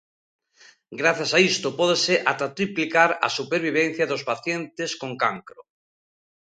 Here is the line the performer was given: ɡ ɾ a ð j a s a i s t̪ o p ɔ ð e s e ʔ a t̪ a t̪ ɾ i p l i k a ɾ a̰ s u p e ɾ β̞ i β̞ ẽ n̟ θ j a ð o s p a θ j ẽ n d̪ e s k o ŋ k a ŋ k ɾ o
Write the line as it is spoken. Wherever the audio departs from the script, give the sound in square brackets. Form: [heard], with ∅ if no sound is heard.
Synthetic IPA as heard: ɡ ɾ a [θ] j a s a i s t̪ o p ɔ ð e s e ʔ a t̪ a t̪ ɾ i p l i k a ɾ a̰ s u p e ɾ β̞ i β̞ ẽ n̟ θ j a ð o s p a θ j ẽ n [t̪] e s k o ŋ k a ŋ k ɾ o